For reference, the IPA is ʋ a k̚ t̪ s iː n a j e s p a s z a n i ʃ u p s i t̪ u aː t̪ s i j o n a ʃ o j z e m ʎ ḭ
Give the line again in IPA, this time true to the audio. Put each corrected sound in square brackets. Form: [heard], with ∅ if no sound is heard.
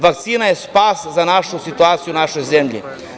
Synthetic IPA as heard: ʋ a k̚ t̪ s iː n a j e s p a s z a n [a] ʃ u [∅] s i t̪ u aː t̪ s i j [u] n a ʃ o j z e m ʎ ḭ